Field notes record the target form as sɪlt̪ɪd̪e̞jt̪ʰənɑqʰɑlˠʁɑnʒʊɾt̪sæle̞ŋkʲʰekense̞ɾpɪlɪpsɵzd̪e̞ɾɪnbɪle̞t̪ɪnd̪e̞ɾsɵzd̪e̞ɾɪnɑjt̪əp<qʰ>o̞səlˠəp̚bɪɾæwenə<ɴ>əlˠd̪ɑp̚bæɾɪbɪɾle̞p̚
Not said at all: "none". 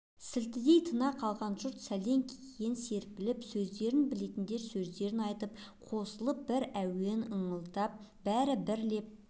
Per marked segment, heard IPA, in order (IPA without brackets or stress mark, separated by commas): qʰ, ɴ